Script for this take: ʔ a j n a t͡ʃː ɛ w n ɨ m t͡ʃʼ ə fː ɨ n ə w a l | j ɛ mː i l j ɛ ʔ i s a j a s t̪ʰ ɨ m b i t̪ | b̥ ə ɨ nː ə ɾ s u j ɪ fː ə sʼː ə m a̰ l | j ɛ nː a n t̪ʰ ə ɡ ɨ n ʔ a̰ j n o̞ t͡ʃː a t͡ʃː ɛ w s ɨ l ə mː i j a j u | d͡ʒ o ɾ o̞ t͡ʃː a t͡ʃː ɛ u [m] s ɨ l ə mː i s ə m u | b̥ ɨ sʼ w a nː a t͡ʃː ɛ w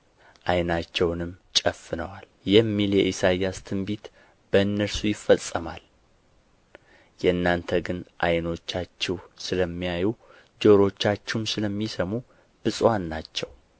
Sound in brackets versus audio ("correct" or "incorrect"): correct